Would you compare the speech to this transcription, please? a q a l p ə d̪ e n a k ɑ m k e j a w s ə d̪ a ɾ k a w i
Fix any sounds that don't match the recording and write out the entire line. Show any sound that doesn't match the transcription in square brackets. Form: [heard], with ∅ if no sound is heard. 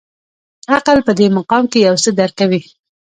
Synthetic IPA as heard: a q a l p ə d̪ e [m] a [q] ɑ m k e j a w s ə d̪ a ɾ k a w i